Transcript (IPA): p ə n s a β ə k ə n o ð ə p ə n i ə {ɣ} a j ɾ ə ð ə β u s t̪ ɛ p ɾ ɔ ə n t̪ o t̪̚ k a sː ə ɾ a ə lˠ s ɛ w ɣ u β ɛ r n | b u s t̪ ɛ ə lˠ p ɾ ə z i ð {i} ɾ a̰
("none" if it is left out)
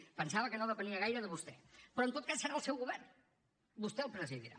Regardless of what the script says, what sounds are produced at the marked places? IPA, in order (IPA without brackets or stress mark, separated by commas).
ɣ, i